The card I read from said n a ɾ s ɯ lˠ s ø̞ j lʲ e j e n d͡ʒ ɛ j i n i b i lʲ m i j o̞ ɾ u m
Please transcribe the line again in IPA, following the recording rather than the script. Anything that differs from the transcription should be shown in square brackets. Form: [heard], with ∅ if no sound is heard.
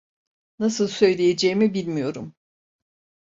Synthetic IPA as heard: n a [∅] s ɯ lˠ s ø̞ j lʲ e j e [∅] d͡ʒ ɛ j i [m] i b i lʲ m i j o̞ ɾ u m